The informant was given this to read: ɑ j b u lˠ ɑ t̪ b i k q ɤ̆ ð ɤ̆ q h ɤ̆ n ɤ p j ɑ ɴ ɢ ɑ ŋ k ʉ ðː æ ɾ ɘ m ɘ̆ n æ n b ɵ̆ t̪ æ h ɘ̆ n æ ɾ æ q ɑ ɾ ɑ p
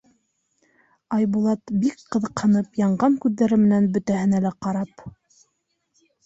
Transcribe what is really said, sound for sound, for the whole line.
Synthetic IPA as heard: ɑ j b u lˠ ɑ t̪ b i k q ɤ̆ ð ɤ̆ q h ɤ̆ n ɤ p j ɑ ɴ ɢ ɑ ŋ k ʉ ðː æ ɾ ɘ m ɘ̆ n æ n b ɵ̆ t̪ æ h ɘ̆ n æ l æ q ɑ ɾ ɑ p

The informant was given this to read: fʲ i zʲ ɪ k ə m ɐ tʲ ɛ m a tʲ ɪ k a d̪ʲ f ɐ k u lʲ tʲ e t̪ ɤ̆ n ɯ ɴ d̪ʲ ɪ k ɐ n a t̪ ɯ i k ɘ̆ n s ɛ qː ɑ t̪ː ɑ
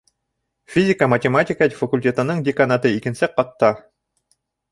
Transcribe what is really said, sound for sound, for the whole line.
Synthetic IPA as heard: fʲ i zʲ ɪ k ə m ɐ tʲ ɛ m a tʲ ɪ k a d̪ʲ f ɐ k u lʲ tʲ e t̪ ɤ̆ n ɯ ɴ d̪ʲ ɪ k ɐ n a t̪ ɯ i k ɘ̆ n s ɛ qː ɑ t̪ː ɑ

